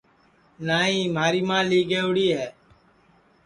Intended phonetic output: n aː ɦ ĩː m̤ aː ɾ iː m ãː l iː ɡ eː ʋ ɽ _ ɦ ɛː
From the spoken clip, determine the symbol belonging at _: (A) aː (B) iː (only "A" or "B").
B